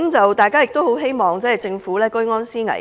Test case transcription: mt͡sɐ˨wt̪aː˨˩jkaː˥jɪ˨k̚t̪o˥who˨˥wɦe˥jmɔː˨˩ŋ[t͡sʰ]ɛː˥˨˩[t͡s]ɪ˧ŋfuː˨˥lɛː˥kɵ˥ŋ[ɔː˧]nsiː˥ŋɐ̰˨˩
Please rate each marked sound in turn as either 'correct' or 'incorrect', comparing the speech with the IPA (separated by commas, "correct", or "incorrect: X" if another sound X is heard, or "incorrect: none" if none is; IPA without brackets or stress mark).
incorrect: t͡s, correct, incorrect: ɔː˥